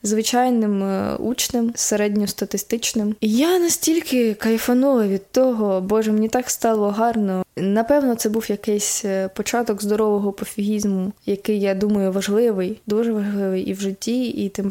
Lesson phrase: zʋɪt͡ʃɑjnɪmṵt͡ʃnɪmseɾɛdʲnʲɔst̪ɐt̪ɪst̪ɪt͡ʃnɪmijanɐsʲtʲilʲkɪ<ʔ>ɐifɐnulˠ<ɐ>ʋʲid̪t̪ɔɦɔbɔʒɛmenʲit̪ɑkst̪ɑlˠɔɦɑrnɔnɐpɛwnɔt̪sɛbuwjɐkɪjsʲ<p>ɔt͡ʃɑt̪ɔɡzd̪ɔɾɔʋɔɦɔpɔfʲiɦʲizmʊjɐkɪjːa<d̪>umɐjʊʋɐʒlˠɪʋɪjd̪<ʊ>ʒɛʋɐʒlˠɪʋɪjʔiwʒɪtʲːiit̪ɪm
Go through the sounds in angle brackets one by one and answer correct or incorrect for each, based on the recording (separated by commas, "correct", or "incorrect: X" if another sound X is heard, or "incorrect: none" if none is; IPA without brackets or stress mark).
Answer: incorrect: k, correct, correct, correct, incorrect: u